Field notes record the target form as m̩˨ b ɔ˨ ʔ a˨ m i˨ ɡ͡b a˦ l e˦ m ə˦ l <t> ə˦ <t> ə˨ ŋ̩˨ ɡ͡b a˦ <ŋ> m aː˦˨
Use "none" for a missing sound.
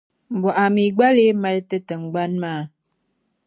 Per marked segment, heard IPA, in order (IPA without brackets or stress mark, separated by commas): t, t, n